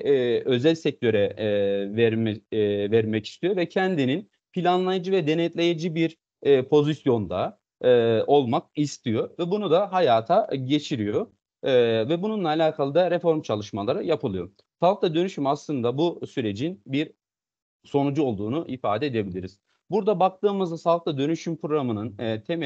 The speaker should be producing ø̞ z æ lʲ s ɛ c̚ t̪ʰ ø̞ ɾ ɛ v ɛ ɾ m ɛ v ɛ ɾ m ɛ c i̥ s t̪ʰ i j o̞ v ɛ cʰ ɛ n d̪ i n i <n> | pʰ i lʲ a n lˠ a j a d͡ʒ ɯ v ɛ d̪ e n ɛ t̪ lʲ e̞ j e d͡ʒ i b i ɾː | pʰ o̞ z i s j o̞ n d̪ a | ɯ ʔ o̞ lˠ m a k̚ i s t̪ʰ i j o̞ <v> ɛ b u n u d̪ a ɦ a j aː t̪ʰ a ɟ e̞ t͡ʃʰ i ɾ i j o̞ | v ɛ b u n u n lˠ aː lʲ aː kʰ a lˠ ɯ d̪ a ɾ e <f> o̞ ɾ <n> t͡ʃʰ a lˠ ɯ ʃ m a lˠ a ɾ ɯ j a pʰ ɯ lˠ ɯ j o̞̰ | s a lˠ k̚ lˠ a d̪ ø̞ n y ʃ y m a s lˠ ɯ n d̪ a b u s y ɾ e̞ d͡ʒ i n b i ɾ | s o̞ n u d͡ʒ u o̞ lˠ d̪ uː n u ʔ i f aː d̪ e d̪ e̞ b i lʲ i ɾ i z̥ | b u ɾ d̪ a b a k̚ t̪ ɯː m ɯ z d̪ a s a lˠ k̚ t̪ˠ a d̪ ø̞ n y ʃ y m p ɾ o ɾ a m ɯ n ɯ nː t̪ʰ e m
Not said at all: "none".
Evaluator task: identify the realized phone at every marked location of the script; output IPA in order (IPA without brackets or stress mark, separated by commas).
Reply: n, v, f, m